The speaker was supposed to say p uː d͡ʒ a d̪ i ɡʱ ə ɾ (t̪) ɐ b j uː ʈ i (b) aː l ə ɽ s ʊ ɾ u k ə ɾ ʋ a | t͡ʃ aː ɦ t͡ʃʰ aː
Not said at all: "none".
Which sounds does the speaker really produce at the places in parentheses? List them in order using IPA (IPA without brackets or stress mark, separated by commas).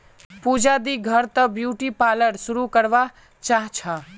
t̪, p